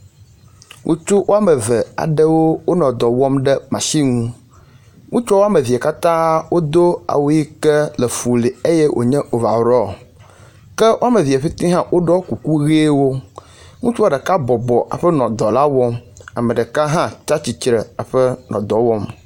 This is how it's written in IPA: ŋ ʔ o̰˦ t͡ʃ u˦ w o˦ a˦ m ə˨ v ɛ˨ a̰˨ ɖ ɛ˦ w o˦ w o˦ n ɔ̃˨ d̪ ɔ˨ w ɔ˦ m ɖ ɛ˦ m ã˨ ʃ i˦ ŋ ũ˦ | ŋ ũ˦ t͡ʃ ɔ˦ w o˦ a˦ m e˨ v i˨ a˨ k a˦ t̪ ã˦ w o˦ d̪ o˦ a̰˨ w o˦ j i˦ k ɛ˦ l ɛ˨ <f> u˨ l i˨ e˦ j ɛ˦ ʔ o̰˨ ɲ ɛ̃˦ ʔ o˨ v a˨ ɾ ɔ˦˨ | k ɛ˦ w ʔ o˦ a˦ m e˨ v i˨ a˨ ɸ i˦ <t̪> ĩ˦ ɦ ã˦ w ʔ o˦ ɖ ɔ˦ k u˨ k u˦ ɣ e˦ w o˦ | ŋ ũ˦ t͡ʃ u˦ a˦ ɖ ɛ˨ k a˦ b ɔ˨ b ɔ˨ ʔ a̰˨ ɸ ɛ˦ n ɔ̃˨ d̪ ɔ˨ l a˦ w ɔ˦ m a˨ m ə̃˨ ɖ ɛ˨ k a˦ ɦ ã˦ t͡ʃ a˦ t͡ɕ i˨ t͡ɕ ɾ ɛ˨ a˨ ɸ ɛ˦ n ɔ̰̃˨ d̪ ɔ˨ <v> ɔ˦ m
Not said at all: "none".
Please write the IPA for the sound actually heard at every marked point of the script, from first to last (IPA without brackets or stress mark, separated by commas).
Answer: f, t̪, w